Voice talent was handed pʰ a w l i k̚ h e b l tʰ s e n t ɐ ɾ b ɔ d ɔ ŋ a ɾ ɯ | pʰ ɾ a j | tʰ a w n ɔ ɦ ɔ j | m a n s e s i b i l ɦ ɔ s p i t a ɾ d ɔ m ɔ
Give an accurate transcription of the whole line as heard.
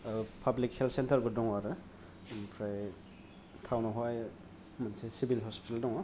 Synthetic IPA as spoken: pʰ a b l i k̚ h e l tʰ s e n t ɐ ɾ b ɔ d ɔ ŋ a ɾ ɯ | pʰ ɾ a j | tʰ a w n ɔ ɦ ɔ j | m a n s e s i b i l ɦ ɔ s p i t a l d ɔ ŋ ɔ